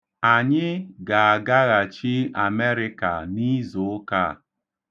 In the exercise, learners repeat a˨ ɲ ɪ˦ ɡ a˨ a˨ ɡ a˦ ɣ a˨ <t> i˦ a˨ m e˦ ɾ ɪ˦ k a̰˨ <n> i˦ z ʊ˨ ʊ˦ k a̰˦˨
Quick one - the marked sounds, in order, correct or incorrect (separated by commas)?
incorrect, correct